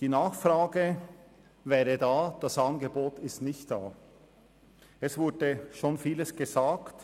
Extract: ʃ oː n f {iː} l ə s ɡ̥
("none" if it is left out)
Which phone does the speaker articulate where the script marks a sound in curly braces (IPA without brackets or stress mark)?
iː